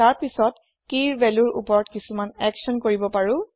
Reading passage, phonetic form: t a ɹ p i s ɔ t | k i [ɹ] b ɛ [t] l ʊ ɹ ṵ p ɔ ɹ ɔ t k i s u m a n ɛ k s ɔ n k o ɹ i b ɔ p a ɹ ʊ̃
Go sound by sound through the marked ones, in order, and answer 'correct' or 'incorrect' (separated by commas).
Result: correct, incorrect